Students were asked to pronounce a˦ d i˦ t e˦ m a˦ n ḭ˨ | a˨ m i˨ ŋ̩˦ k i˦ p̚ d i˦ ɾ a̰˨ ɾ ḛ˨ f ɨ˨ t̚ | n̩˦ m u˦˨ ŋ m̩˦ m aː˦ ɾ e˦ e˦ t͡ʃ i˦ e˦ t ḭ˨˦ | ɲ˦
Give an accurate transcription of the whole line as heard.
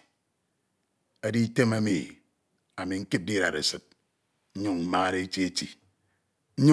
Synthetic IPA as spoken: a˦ d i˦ t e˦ m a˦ m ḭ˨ | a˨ m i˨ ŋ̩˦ k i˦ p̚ d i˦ ɾ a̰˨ ɾ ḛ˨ s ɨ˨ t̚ | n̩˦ ɲ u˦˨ ŋ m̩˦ m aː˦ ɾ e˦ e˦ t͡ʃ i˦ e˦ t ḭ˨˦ | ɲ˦